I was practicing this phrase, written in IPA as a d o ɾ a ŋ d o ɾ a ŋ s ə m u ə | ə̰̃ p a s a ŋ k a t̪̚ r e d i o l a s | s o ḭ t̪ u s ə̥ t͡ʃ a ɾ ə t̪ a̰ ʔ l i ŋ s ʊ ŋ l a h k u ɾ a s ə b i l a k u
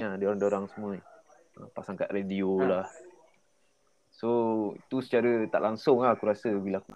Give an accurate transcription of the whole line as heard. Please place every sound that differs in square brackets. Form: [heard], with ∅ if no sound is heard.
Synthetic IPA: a d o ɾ a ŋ d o ɾ a ŋ s ə m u ə | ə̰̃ p a s a ŋ k a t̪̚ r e d i o l a [h] | s o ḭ t̪ u s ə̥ t͡ʃ a ɾ ə t̪ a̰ ʔ l [a] ŋ s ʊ ŋ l a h k u ɾ a s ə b i l a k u